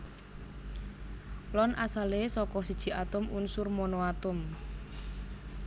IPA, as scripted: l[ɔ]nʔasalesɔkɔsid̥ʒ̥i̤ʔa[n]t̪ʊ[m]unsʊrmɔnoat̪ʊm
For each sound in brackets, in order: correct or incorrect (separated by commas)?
correct, incorrect, correct